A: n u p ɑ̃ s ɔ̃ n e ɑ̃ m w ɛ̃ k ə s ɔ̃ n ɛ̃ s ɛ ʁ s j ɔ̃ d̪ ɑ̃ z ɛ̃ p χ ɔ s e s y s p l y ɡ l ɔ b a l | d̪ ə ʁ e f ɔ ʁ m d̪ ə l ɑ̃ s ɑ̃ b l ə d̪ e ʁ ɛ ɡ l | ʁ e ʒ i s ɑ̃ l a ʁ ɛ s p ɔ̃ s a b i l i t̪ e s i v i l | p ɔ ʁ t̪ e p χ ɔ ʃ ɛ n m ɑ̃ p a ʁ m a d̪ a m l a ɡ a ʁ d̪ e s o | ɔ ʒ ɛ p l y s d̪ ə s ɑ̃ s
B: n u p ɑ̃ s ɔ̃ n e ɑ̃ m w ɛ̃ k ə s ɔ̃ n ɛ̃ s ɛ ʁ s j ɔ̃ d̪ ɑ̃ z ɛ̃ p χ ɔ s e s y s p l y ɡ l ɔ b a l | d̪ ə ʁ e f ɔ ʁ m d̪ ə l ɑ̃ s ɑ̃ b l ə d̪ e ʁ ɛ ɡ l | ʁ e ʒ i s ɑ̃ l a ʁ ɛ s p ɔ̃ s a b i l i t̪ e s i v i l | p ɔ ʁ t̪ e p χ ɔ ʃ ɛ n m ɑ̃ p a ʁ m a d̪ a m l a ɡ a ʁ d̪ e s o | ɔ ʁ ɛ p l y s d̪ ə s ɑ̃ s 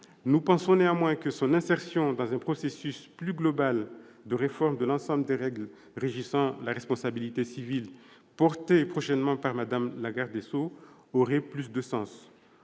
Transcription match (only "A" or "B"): B